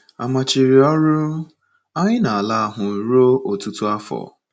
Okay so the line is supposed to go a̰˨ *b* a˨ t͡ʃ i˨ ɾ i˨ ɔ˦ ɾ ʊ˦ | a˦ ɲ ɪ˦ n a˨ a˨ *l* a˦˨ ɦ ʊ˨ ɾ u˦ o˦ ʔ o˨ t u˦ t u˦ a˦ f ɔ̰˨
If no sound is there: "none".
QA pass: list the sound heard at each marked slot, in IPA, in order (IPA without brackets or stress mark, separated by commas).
m, l